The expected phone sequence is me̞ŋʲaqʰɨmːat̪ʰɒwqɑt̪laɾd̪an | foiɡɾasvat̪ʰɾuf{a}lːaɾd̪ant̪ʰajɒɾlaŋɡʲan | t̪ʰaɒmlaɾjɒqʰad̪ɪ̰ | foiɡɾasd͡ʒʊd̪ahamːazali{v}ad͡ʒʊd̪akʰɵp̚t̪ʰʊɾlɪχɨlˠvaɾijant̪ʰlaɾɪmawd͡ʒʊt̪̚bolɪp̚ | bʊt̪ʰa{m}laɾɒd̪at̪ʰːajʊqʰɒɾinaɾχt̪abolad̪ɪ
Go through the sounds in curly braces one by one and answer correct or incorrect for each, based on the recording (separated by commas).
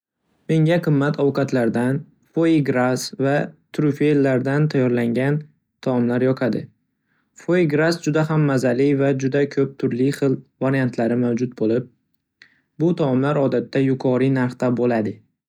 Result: incorrect, correct, correct